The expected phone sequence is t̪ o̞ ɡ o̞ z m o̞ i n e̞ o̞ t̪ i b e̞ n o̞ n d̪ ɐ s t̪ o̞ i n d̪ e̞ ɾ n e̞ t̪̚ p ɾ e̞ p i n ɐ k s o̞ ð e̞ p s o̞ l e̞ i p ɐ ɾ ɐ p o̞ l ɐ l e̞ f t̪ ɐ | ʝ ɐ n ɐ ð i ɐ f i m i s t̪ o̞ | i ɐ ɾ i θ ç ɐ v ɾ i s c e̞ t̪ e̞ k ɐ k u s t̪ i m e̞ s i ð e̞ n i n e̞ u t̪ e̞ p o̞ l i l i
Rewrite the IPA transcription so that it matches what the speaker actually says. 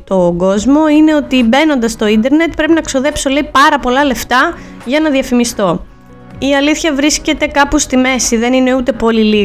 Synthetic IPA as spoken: t̪ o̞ ɡ o̞ z m o̞ i n e̞ o̞ t̪ i b e̞ n o̞ n d̪ ɐ s t̪ o̞ i n d̪ e̞ ɾ n e̞ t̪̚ p ɾ e̞ p i n ɐ k s o̞ ð e̞ p s o̞ l e̞ i p ɐ ɾ ɐ p o̞ l ɐ l e̞ f t̪ ɐ | ʝ ɐ n ɐ ð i ɐ f i m i s t̪ o̞ | i ɐ l i θ ç ɐ v ɾ i s c e̞ t̪ e̞ k ɐ p u s t̪ i m e̞ s i ð e̞ n i n e̞ u t̪ e̞ p o̞ l i l i